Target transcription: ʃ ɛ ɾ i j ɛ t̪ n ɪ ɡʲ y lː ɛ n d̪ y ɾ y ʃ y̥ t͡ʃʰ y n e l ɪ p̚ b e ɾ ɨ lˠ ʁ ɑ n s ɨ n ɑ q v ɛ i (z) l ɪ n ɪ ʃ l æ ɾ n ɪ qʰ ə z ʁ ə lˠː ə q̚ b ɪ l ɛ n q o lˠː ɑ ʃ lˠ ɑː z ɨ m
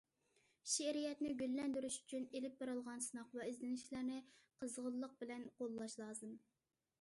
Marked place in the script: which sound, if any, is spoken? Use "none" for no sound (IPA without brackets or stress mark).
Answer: z